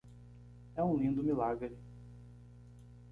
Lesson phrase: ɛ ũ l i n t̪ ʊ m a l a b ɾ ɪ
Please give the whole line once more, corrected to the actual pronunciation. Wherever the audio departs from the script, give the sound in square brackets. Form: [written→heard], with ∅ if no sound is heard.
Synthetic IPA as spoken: ɛ ũ l [i→ĩ] n [t̪→d̪] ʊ m [a→i] l a [b→ɡ] ɾ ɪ